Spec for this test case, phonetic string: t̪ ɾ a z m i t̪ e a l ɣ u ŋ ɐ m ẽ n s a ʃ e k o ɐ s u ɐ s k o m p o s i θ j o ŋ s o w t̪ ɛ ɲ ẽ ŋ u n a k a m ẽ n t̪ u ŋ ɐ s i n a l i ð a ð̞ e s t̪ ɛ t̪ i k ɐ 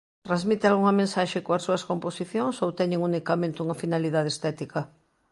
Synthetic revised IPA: t̪ ɾ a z m i t̪ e a l ɣ u ŋ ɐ m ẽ n s a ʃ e k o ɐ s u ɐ s k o m p o s i θ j o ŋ s o w t̪ ɛ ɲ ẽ ŋ u n i k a m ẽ n t̪ u ŋ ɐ f i n a l i ð a ð̞ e s t̪ ɛ t̪ i k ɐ